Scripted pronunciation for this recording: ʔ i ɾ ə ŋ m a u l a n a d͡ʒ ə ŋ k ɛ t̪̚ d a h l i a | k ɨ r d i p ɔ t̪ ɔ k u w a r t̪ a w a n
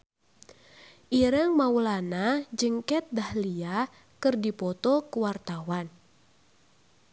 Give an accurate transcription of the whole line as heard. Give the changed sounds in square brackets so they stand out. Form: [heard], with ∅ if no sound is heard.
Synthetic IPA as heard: ʔ i ɾ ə ŋ m a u l a n a d͡ʒ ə ŋ k ɛ t̪̚ d a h l i a | k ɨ r d i p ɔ t̪ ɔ k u w a r t̪ a w a n